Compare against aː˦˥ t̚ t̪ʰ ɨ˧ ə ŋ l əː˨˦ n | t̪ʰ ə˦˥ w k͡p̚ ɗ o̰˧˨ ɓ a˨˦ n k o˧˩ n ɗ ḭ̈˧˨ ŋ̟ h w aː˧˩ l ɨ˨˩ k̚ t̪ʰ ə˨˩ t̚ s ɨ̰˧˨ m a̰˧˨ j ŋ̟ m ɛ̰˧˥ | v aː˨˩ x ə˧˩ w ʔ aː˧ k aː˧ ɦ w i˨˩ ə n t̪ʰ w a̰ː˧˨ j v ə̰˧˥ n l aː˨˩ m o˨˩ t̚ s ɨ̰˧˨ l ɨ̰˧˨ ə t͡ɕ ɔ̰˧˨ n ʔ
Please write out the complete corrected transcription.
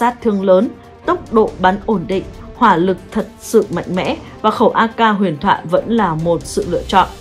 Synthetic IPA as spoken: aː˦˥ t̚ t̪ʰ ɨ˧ ə ŋ l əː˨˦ n | t̪ ə˦˥ w k͡p̚ ɗ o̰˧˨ ɓ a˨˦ n ʔ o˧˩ n ɗ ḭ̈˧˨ ŋ̟ h w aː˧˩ l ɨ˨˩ k̚ t̪ʰ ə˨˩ t̚ s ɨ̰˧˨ m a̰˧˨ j ŋ̟ m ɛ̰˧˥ | v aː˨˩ x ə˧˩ w ʔ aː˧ k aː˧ ɦ w i˨˩ ə n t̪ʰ w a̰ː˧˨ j v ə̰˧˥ n l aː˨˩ m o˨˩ t̚ s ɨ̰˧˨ l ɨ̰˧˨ ə t͡ɕ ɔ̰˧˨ n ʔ